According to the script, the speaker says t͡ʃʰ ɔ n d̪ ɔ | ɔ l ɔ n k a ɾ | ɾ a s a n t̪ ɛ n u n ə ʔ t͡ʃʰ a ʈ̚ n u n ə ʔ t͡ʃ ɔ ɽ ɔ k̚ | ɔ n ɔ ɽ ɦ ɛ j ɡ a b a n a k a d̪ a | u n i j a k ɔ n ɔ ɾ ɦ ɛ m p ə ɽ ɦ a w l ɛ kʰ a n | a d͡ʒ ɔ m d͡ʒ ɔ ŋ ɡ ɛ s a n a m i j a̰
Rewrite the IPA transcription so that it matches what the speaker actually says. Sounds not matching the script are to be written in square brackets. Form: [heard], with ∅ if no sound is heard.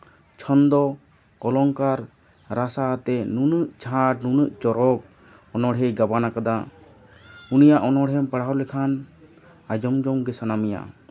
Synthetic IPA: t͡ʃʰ ɔ n d̪ ɔ | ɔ l ɔ [ŋ] k a ɾ | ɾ a s a [∅] t̪ ɛ n u n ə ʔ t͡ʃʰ a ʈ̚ n u n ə ʔ t͡ʃ ɔ [ɾ] ɔ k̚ | ɔ n ɔ ɽ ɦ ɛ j ɡ a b a n a k a d̪ a | u n i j a [ʔ] ɔ n ɔ [ɽ] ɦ ɛ m p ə ɽ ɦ a w l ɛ kʰ a n | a d͡ʒ ɔ m d͡ʒ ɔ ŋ ɡ ɛ s a n a m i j a̰